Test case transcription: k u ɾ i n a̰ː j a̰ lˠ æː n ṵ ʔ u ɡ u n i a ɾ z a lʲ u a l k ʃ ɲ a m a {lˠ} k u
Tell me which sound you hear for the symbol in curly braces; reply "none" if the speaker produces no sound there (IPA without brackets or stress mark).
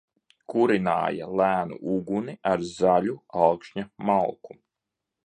lˠ